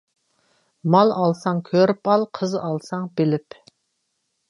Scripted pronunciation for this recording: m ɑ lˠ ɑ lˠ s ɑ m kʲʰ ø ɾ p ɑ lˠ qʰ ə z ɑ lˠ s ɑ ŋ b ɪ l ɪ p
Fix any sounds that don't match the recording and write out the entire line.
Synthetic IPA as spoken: m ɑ lˠ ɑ lˠ s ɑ ŋ kʲʰ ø ɾ p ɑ lˠ qʰ ə z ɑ lˠ s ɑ ŋ b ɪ l ɪ p